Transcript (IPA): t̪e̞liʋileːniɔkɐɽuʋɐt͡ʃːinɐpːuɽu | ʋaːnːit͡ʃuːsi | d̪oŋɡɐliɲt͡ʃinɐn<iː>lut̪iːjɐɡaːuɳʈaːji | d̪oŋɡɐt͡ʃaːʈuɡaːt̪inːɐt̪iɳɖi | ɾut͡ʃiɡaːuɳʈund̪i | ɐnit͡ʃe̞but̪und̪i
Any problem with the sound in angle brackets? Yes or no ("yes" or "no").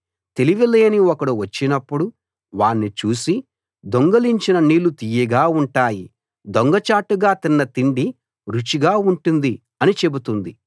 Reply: no